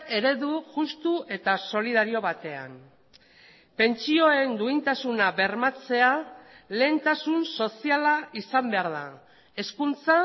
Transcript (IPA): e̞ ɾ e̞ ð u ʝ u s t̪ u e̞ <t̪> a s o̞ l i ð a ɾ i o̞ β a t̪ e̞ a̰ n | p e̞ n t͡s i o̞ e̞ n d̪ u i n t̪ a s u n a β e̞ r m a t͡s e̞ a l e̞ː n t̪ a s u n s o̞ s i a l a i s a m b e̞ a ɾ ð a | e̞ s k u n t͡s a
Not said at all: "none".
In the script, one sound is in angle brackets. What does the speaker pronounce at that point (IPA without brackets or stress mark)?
t̪